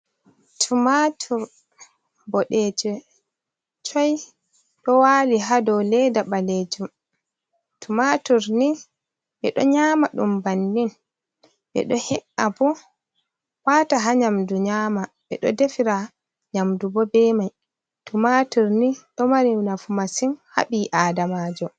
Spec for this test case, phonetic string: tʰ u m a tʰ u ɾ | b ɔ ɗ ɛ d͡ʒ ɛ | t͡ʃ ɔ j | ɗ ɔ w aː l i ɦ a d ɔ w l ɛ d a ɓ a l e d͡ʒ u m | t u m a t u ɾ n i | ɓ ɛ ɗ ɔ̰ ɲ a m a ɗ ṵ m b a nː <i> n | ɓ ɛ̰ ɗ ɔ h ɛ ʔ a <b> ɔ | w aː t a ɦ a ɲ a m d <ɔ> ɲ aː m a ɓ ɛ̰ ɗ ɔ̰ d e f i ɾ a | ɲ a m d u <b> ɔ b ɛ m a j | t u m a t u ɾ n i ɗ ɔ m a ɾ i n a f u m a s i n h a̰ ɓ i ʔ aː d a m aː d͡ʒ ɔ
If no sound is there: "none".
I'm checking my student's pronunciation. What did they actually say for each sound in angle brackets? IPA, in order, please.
i, b, u, b

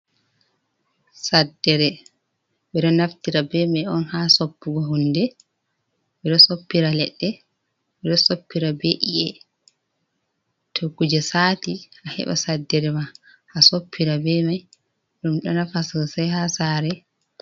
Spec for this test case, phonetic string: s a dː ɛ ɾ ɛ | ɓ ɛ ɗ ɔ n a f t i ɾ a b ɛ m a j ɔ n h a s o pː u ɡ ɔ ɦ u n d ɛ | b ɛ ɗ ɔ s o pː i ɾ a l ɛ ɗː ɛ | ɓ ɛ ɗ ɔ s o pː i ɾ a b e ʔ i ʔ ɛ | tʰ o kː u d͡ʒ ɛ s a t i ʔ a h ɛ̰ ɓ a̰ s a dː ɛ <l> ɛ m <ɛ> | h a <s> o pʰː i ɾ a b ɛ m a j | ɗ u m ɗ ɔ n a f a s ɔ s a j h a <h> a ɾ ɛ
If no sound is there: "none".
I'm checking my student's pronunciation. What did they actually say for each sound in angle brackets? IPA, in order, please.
ɾ, a, s, s

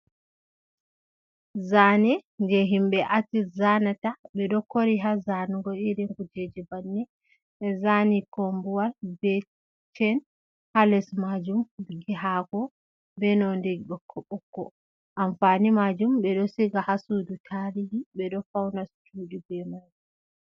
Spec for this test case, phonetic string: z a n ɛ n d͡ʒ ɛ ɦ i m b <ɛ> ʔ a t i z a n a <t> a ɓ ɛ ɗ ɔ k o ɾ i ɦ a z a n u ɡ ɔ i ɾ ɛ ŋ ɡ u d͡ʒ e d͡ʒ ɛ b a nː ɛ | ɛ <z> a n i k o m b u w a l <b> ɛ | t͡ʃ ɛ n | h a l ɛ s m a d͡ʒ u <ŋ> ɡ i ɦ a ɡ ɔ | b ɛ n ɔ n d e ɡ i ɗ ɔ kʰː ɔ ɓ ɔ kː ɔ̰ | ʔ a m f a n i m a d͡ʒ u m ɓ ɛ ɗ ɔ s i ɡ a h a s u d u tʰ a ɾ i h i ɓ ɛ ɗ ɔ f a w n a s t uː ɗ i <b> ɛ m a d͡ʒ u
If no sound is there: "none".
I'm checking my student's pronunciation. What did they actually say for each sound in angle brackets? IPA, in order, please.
ɛ, t, z, b, m, b

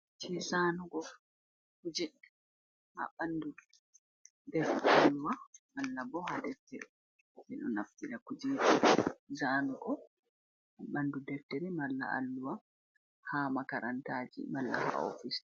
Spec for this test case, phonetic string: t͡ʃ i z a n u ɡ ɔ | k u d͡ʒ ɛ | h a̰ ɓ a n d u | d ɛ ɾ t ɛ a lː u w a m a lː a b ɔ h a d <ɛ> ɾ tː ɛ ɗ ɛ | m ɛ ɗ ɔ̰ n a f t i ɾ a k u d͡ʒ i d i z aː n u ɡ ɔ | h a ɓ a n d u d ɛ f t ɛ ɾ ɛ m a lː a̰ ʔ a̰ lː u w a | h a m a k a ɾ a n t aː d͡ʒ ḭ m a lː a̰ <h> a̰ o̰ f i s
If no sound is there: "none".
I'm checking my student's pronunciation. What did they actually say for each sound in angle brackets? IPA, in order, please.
ɛ, h

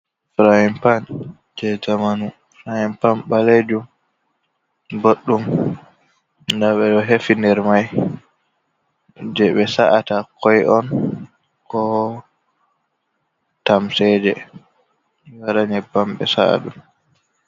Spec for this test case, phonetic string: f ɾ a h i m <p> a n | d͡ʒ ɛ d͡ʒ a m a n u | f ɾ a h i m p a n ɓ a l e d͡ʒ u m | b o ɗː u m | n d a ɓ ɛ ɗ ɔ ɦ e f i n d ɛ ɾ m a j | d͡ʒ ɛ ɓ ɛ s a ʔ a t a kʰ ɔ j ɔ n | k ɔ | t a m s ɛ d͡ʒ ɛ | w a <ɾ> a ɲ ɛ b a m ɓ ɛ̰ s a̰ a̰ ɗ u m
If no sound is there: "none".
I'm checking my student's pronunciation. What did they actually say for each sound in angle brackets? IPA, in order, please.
p, ɾ

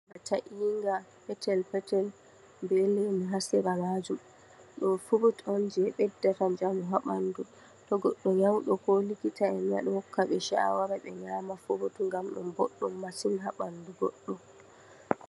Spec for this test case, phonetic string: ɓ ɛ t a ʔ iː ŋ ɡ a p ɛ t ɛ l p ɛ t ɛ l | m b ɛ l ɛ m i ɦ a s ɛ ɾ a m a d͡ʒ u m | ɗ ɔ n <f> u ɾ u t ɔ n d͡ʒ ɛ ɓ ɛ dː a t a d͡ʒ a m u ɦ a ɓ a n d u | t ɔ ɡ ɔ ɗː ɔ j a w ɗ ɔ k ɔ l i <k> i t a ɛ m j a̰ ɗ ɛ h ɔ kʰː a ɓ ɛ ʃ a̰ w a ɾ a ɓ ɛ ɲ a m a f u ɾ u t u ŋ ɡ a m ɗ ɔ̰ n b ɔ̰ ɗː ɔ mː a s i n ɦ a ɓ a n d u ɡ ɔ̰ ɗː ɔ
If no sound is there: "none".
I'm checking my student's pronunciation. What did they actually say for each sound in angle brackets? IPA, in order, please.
f, k

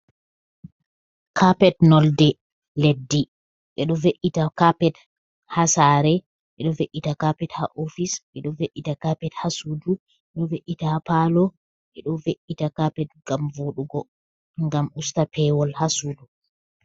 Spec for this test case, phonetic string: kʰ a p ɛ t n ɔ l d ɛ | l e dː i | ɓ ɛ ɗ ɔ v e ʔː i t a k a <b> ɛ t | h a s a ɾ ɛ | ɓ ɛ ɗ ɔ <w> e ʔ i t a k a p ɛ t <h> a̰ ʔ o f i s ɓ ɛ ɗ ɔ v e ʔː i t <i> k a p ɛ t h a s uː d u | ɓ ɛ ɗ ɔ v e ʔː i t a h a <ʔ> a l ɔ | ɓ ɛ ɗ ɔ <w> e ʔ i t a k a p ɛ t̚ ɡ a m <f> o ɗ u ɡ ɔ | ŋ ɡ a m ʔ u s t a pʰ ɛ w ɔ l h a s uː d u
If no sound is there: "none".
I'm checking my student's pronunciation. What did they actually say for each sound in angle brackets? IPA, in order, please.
p, v, h, a, p, v, v

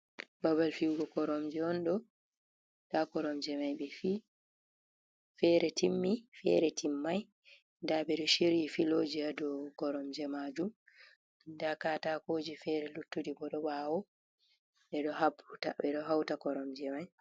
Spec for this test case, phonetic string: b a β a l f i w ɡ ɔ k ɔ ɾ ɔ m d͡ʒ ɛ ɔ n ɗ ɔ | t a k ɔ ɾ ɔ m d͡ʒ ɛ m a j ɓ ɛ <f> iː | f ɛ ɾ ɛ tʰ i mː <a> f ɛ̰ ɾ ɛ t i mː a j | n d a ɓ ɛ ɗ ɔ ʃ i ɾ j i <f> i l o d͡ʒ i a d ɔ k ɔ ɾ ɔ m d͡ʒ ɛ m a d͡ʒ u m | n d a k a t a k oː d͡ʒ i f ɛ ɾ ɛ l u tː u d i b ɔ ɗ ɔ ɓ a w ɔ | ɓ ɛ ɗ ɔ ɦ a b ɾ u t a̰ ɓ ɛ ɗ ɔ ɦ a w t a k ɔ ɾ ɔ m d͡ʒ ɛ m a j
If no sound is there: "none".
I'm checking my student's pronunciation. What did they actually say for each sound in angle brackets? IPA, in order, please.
f, i, f

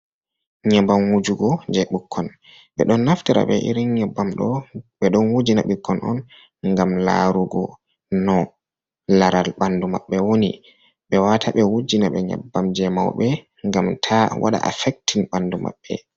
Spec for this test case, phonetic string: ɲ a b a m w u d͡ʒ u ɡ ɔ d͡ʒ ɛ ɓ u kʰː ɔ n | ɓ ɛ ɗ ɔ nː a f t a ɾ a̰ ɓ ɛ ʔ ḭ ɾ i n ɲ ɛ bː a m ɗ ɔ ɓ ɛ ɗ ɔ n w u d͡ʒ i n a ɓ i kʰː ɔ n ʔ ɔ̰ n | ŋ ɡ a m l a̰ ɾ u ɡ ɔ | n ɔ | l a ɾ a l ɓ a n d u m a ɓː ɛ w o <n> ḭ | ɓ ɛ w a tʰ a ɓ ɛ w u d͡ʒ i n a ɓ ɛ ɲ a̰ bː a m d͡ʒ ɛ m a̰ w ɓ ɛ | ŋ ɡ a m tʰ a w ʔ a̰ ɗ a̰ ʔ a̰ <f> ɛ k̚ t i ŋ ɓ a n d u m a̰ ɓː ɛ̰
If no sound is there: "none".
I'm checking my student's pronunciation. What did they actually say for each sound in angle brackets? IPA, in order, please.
n, f

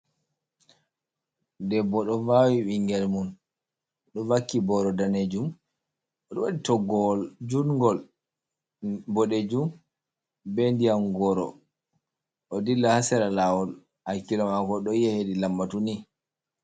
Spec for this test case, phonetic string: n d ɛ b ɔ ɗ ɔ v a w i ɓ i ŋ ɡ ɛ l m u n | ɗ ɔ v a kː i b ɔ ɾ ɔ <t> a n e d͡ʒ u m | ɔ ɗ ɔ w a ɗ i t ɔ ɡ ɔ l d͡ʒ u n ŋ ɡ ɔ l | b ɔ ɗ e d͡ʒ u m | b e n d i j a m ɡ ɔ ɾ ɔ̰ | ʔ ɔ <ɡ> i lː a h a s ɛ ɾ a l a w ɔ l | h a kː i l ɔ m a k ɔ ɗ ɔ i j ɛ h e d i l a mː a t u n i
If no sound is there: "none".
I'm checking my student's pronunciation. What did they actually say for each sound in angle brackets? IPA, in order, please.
d, d

